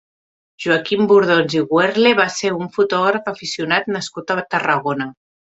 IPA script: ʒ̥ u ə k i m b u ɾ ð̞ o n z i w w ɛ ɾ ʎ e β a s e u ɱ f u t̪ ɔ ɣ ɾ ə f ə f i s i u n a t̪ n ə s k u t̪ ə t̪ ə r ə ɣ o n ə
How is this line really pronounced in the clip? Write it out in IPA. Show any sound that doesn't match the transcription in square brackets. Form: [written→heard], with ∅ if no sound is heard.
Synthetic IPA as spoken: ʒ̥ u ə k i m b u ɾ ð̞ o n z i [w→ɣ] w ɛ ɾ [ʎ→l] e β a s e u ɱ f u t̪ ɔ ɣ ɾ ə f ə f i s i u n a t̪ n ə s k u t̪ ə t̪ ə r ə ɣ o n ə